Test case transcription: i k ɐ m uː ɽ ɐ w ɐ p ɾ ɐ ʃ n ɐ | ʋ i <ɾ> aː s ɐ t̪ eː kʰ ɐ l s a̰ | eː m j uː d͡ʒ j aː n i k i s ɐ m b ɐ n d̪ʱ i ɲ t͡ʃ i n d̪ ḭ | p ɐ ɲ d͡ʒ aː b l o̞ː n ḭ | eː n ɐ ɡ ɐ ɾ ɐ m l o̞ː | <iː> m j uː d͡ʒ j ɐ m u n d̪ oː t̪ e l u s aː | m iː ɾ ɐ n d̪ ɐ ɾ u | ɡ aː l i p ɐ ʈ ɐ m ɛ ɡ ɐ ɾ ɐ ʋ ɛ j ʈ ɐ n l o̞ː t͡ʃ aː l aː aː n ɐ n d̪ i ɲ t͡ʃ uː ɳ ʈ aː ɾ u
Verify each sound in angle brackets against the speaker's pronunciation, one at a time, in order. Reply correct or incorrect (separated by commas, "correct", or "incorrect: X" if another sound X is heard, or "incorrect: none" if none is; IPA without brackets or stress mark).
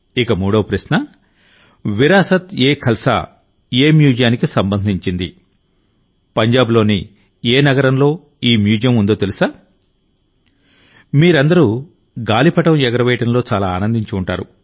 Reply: correct, correct